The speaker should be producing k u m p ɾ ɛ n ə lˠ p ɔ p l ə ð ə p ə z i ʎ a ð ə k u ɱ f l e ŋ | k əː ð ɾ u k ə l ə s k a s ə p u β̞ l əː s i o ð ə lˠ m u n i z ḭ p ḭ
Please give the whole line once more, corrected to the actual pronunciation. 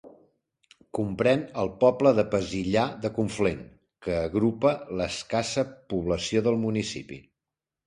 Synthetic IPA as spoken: k u m p ɾ ɛ n ə lˠ p ɔ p l ə ð ə p ə z i ʎ a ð ə k u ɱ f l e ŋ | k əː ɣ ɾ u p ə l ə s k a s ə p u β̞ l ə s i o ð ə lˠ m u n i s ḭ p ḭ

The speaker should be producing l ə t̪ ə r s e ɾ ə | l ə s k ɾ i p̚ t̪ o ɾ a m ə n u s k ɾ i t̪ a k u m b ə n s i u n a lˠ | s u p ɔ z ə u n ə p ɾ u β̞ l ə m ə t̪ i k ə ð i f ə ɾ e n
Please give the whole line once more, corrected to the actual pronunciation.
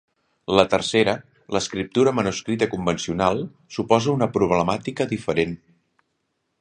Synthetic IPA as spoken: l ə t̪ ə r s e ɾ ə | l ə s k ɾ i p̚ t̪ u ɾ ə m ə n u s k ɾ i t̪ ə k u m b ə n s i u n a lˠ | s u p ɔ z ə u n ə p ɾ u β̞ l ə m a t̪ i k ə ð i f ə ɾ e n

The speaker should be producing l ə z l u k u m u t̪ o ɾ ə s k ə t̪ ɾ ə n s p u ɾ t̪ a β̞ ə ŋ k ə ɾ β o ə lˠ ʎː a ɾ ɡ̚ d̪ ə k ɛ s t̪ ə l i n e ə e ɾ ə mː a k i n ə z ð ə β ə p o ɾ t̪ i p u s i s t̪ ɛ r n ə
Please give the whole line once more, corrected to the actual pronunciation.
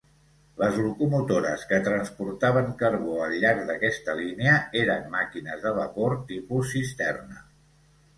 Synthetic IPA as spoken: l ə z l u k u m u t̪ o ɾ ə s k ə t̪ ɾ ə n s p u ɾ t̪ a β̞ ə ŋ k ə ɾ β o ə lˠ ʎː a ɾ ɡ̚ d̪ ə k ɛ s t̪ ə l i n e ə e ɾ ə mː a k i n ə z ð ə β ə p o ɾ t̪ i p u s i s t̪ ɛ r n ə

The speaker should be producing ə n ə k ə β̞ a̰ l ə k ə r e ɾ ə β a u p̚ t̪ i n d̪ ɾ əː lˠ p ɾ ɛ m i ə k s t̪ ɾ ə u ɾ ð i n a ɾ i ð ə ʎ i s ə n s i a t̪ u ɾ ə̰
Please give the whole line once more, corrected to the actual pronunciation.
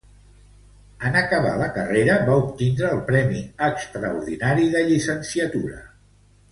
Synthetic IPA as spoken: ə n ə k ə β̞ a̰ l ə k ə r e ɾ ə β a u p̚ t̪ i n d̪ ɾ əː lˠ p ɾ ɛ m i ə k s t̪ ɾ ə u ɾ ð i n a ɾ i ð ə ʎ i s ə n s i ə t̪ u ɾ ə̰

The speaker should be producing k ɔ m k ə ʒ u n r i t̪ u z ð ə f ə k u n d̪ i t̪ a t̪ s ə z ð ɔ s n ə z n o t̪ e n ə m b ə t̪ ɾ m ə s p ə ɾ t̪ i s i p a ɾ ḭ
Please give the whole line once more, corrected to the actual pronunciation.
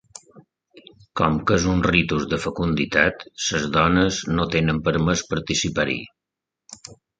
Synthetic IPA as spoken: k ɔ m k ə z u n r i t̪ u z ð ə f ə k u n d̪ i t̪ a t̪ s ə z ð ɔ n ə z n o t̪ e n ə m p ə ɾ m ə s p ə ɾ t̪ i s i p a ɾ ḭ

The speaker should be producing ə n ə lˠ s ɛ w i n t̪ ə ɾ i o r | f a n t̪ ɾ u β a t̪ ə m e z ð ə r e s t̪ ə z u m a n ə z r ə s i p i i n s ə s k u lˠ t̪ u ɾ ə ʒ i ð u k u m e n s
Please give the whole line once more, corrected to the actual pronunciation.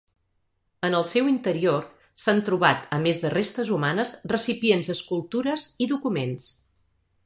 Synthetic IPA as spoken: ə n ə lˠ s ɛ w i n t̪ ə ɾ i o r | s a n t̪ ɾ u β a t̪ ə m e z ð ə r e s t̪ ə z u m a n ə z r ə s i p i e n z ə s k u lˠ t̪ u ɾ ə z i ð u k u m e n s

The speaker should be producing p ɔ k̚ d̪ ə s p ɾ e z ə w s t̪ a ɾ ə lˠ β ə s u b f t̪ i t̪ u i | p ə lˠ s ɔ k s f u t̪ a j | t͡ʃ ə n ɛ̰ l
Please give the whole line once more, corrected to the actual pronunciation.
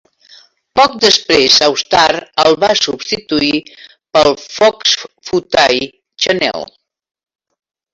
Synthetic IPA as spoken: p ɔ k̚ d̪ ə s p ɾ e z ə w s t̪ a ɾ ə lˠ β a s u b s t̪ i t̪ u i | p ə lˠ f ɔ k s f u t̪ a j | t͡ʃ ə n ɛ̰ l

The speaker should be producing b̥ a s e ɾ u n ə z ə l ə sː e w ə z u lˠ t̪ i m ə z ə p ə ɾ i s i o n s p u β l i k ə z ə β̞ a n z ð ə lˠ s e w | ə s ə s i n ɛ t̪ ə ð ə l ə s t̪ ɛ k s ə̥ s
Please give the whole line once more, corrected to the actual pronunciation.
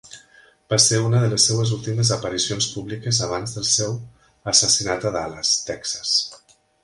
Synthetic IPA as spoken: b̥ a s e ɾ u n ə ð ə l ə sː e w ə z u lˠ t̪ i m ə z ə p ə ɾ i s i o n s p u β l i k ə z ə β̞ a n z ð ə lˠ s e w | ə s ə s i n a t̪ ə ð a l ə s t̪ ɛ k s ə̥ s

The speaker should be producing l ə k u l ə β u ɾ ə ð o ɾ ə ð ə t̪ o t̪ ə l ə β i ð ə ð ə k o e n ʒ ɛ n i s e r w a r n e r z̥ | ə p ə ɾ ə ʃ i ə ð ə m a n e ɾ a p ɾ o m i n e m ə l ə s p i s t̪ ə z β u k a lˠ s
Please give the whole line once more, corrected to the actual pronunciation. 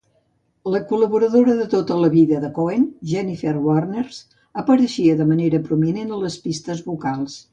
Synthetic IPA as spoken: l ə k u l ə β u ɾ ə ð o ɾ ə ð ə t̪ o t̪ ə l ə β i ð ə ð ə k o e n ʒ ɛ n i f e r w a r n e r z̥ | ə p ə ɾ ə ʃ i ə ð ə m ə n e ɾ ə p ɾ u m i n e n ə l ə s p i s t̪ ə z β u k a lˠ s

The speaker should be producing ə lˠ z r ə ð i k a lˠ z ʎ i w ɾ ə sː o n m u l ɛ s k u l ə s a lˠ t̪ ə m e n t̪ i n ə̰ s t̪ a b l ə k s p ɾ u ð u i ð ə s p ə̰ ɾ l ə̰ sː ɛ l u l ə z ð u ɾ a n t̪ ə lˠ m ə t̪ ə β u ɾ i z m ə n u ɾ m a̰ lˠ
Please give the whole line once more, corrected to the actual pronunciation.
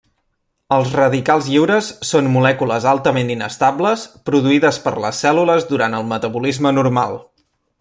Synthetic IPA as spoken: ə lˠ z r ə ð i k a lˠ z ʎ i w ɾ ə sː o n m u l ɛ k u l ə z a lˠ t̪ ə m e n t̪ i n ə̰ s t̪ a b l ə s p ɾ u ð u i ð ə s p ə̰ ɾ l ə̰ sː ɛ l u l ə z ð u ɾ a n t̪ ə lˠ m ə t̪ ə β u l i z m ə n u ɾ m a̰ lˠ

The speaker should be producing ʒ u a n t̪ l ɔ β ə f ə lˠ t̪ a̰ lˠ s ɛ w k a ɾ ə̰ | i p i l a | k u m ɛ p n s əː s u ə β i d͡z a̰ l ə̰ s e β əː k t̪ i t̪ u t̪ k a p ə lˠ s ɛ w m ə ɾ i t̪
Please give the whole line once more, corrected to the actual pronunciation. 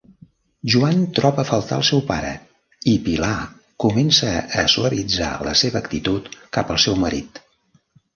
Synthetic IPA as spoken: ʒ u a n t̪ ɾ ɔ β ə f ə lˠ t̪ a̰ lˠ s ɛ w p a ɾ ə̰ | i p i l a | k u m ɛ n s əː s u ə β i d͡z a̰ l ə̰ s e β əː k t̪ i t̪ u t̪ k a p ə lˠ s ɛ w m ə ɾ i t̪

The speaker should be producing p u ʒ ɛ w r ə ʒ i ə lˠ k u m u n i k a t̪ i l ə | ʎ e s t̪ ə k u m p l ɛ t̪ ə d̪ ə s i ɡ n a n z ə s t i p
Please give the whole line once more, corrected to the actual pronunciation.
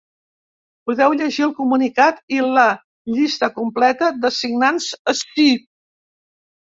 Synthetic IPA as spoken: p u ð ɛ w ʎ ə ʒ i ə lˠ k u m u n i k a t̪ i l ə | ʎ i s t̪ ə k u m p l ɛ t̪ ə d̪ ə s i ɡ n a n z ə s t i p

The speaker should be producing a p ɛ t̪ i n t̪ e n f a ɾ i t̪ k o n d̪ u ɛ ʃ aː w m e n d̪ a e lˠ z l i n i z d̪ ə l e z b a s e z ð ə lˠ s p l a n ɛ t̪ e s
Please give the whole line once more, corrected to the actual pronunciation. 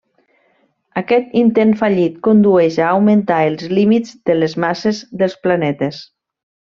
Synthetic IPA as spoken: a k ɛ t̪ i n t̪ e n f a ʎ i t̪ k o n d̪ u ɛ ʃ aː w m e n t̪ a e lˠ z l i m i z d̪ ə l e z m a s e z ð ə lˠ s p l a n ɛ t̪ e s

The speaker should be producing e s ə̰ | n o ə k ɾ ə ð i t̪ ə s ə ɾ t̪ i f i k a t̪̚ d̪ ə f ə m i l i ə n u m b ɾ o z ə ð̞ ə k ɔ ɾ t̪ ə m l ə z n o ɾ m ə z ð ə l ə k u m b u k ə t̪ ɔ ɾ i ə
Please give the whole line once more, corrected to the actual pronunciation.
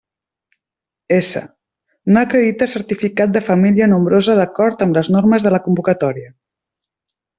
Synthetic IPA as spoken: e s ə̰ | n o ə k ɾ ə ð i t̪ ə s ə ɾ t̪ i f i k a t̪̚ d̪ ə f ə m i l i ə n u m b ɾ o z ə ð̞ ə k ɔ ɾ t̪ ə m l ə z n o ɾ m ə z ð ə l ə k u m b u k ə t̪ ɔ ɾ i ə

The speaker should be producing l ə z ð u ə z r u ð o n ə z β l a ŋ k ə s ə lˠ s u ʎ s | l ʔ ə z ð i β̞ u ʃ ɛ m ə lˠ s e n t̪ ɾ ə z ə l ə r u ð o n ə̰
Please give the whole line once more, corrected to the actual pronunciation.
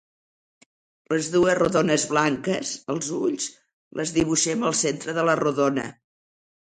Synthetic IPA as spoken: l ə z ð u ə z r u ð o n ə z β l a ŋ k ə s ə lˠ z u ʎ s | l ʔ ə z ð i β̞ u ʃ ɛ m ə lˠ s e n t̪ ɾ ə ð ə l ə r u ð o n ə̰

